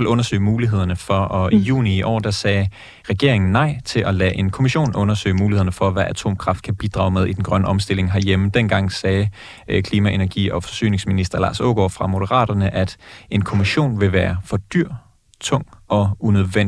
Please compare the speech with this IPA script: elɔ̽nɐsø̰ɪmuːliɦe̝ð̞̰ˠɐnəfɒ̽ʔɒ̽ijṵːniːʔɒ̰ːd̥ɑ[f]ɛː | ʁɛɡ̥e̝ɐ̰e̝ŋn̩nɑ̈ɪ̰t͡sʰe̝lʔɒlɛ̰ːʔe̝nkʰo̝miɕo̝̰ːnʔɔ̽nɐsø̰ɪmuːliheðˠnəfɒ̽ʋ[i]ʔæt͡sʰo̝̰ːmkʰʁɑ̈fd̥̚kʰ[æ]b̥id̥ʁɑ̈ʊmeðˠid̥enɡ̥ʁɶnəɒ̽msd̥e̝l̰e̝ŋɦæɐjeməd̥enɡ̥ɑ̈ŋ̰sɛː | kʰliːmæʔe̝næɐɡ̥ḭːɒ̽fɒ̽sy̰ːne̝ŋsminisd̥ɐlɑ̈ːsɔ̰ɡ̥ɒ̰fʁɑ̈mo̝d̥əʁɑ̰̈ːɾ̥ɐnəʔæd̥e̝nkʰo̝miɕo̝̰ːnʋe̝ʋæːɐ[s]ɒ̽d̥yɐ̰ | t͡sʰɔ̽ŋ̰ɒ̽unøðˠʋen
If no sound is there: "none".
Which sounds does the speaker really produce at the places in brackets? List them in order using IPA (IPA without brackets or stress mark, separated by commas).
s, æ, æ, f